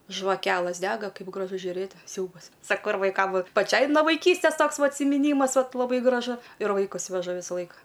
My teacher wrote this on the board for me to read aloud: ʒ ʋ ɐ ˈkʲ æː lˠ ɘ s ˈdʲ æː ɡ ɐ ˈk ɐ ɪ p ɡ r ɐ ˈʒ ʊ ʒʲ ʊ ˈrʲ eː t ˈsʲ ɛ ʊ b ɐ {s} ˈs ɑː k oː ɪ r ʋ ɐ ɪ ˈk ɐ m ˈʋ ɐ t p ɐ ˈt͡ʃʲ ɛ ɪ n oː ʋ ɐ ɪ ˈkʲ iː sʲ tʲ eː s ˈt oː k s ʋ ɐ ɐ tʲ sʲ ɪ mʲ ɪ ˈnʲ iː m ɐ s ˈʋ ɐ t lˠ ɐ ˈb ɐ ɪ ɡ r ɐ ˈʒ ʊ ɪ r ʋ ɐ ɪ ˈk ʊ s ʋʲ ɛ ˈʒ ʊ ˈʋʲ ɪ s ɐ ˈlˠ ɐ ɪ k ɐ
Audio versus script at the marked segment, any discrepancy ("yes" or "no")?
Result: no